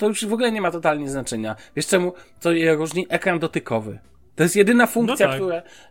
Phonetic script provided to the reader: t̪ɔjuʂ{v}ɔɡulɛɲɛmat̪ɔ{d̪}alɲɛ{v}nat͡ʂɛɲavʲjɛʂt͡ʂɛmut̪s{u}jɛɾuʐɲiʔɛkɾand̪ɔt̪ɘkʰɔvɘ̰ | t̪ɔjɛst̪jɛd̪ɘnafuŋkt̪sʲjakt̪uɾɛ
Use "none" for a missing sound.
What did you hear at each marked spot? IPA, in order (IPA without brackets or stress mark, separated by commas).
v, t̪, z, ɔ